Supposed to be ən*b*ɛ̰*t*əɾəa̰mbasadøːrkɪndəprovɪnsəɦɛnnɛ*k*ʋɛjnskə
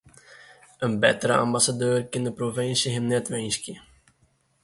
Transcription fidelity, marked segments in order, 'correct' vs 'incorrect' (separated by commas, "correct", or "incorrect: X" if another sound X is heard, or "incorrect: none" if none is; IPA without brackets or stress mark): correct, correct, incorrect: t